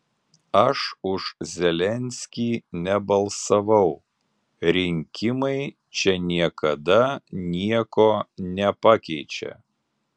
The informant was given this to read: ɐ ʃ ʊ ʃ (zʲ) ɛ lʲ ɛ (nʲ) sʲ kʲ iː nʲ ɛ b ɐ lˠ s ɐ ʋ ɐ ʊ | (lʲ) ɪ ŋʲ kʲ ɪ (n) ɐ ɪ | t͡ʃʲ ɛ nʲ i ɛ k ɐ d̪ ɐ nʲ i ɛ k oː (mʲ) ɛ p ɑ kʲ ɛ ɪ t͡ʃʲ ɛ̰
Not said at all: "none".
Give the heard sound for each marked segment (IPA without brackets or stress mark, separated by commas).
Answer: zʲ, nʲ, ɾʲ, m, nʲ